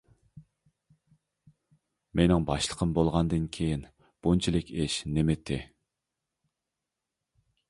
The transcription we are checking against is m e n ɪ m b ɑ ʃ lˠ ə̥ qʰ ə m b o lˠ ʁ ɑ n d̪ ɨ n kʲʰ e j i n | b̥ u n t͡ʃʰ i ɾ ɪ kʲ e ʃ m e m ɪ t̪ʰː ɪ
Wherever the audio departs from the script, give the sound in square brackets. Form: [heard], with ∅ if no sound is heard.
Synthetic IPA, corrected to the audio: m e n ɪ [ŋ] b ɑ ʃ lˠ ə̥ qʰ ə m b o lˠ ʁ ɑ n d̪ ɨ n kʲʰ e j i n | b̥ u n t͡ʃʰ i [l] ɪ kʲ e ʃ [n] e m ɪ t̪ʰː ɪ